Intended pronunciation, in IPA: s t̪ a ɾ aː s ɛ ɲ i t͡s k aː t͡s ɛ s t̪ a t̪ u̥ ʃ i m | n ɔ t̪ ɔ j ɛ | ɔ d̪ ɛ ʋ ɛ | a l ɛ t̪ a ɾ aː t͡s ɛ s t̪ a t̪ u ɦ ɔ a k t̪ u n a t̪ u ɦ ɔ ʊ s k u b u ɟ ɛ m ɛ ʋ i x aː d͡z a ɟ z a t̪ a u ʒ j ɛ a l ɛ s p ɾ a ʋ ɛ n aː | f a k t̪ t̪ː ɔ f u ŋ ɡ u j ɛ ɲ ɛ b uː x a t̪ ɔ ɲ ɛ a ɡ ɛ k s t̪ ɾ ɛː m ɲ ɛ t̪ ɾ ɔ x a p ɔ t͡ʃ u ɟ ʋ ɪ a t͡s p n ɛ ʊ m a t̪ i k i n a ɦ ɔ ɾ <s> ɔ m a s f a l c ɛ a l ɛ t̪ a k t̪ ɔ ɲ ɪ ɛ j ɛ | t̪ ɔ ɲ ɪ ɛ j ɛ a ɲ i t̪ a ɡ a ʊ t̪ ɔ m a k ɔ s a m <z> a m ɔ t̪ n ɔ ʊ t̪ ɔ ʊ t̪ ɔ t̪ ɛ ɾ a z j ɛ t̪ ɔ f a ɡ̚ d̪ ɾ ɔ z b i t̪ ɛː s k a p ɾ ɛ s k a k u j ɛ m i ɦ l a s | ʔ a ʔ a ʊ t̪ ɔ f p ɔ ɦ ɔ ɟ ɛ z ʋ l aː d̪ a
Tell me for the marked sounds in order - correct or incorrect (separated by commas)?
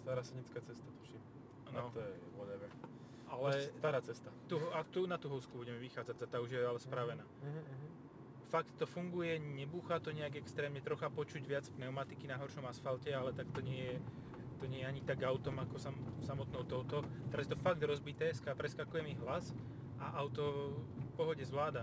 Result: incorrect, incorrect